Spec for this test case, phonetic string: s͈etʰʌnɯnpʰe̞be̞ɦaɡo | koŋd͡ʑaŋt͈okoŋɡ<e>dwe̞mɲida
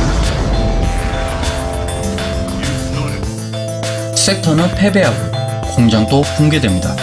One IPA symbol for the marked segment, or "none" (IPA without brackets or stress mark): e